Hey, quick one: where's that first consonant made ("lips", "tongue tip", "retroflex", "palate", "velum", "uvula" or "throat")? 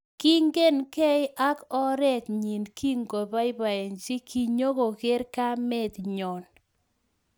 velum